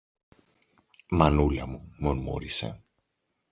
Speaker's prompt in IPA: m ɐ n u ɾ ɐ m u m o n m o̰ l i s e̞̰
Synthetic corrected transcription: m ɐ n u l ɐ m u m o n m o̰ ɾ i s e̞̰